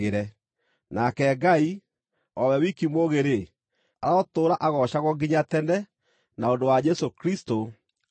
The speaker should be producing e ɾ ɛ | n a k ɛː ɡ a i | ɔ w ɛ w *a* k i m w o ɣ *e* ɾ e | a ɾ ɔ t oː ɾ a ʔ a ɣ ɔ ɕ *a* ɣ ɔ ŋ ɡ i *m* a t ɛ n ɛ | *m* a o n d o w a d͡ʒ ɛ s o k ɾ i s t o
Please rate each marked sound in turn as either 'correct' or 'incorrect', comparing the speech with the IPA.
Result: incorrect: i, correct, correct, incorrect: ɲ, incorrect: n

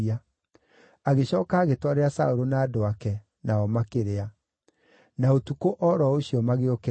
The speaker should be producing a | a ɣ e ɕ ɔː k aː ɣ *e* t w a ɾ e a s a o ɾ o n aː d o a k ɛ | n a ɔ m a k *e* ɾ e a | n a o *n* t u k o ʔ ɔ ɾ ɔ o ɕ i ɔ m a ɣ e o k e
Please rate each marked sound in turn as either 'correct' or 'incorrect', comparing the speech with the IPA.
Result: correct, correct, incorrect: none

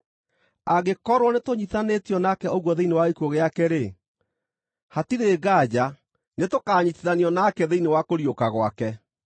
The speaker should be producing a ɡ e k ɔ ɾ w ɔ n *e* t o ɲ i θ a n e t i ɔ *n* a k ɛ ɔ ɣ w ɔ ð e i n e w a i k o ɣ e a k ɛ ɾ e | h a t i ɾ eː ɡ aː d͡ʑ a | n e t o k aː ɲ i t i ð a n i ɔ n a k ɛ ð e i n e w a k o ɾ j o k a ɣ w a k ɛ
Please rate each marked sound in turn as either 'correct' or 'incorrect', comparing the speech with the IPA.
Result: correct, correct

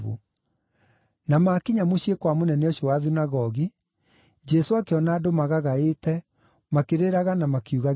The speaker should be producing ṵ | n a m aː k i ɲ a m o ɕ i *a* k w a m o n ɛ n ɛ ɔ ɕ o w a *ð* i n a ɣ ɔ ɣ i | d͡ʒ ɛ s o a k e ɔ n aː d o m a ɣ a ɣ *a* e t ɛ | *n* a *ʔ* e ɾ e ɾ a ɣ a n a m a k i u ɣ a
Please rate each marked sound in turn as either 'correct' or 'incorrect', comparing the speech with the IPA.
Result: incorrect: e, correct, correct, incorrect: m, incorrect: k

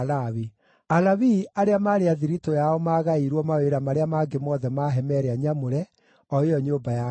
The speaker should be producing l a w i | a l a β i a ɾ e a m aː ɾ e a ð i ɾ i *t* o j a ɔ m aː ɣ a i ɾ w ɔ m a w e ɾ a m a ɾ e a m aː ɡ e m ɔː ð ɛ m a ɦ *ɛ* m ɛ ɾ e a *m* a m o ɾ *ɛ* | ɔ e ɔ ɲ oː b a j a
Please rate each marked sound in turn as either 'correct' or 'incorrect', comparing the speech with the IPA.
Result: correct, correct, incorrect: ɲ, correct

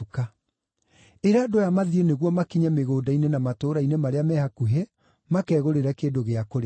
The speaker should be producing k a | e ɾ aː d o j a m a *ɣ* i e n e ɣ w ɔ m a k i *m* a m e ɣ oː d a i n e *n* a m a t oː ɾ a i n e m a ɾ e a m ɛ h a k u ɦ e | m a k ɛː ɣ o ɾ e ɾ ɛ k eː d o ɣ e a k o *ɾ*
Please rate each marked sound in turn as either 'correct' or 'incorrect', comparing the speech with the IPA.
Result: incorrect: ð, incorrect: ɲ, correct, correct

